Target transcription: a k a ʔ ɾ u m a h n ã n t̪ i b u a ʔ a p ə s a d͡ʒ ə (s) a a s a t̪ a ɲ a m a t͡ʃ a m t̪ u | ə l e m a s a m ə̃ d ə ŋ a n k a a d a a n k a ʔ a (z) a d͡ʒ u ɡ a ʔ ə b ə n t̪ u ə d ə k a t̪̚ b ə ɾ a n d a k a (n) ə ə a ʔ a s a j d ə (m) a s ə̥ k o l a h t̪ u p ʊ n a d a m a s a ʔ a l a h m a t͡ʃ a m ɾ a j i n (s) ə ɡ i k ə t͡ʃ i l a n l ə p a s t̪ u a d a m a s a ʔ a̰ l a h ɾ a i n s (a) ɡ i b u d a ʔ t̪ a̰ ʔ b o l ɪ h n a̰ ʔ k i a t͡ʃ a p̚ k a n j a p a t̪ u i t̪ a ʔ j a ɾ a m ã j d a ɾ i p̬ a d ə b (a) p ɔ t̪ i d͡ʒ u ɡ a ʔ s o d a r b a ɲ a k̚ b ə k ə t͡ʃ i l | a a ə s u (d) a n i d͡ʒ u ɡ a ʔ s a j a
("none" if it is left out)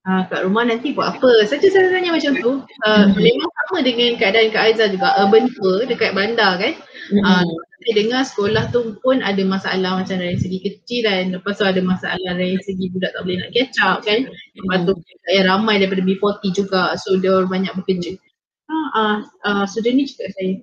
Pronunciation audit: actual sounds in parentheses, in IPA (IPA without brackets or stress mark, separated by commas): s, z, n, ŋ, s, ə, i, d